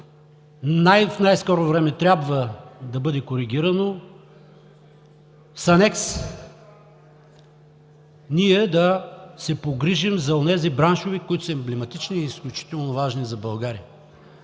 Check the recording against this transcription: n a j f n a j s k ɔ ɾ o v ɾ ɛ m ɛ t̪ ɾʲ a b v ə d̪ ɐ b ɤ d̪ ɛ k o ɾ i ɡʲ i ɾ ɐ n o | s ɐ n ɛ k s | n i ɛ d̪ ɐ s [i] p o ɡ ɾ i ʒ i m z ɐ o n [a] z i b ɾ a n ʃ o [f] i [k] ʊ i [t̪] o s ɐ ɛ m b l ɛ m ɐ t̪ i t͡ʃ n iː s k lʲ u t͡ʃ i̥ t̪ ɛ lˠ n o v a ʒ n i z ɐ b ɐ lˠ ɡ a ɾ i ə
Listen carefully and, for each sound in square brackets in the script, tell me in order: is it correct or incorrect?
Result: incorrect, incorrect, incorrect, correct, correct

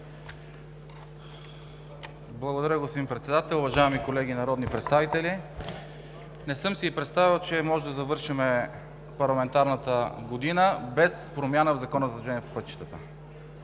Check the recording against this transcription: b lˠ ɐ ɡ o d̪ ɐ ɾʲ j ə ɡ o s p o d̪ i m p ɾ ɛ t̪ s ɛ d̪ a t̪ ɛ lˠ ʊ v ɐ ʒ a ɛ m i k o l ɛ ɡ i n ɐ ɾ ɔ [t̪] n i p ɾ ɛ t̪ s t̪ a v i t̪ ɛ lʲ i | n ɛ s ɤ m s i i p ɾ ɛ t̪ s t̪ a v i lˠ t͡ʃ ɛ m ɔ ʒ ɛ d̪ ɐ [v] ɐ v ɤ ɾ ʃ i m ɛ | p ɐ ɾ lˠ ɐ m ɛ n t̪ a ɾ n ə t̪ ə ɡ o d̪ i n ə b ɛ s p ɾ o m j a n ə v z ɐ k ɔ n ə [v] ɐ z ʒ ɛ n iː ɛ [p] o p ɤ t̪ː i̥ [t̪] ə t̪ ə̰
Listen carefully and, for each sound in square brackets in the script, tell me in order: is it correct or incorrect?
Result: incorrect, incorrect, incorrect, correct, correct

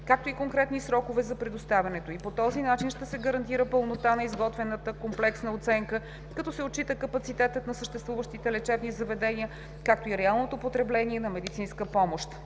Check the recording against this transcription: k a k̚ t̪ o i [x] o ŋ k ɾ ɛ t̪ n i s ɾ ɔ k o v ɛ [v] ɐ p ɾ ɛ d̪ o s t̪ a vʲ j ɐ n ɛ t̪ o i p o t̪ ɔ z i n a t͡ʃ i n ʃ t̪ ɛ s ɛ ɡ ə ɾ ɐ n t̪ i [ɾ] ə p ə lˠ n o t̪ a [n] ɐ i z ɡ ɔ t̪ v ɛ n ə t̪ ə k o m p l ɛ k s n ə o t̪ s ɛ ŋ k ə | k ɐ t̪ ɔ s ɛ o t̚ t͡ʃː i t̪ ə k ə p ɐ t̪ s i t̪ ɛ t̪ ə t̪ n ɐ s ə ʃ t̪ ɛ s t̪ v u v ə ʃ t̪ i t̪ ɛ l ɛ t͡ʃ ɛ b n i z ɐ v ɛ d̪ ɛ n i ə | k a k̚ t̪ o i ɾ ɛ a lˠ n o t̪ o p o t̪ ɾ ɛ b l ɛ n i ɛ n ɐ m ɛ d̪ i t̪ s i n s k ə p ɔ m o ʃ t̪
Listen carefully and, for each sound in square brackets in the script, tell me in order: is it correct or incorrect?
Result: incorrect, incorrect, correct, correct

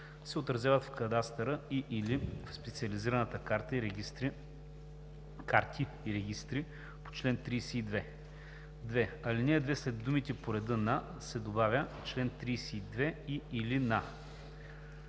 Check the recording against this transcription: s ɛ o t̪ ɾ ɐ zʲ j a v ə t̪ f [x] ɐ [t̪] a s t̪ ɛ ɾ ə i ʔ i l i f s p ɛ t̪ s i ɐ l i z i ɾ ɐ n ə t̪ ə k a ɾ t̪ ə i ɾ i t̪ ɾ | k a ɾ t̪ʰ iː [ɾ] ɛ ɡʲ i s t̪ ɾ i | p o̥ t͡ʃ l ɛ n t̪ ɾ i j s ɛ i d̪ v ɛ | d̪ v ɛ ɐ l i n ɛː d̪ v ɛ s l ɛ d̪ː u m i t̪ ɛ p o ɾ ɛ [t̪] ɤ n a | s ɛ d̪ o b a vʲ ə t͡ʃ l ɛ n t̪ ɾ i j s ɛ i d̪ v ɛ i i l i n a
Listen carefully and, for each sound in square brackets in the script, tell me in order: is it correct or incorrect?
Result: incorrect, incorrect, correct, incorrect

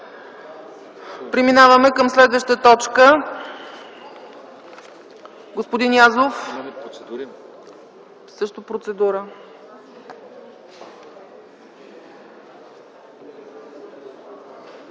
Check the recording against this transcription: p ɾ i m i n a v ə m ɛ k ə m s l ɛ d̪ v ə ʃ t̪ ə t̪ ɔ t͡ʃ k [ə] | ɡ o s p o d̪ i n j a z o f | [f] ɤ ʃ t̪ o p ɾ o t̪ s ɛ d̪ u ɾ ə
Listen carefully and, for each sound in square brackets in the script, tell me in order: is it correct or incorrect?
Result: correct, incorrect

